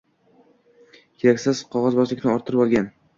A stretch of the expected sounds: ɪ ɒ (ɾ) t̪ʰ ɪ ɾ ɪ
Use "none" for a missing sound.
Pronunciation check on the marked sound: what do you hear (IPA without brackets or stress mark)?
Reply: ɾ